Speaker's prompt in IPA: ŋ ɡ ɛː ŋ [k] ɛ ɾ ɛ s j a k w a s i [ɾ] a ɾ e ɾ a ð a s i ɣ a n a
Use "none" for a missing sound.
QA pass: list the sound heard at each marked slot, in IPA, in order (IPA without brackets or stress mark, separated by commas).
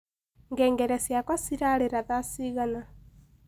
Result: ɡ, ɾ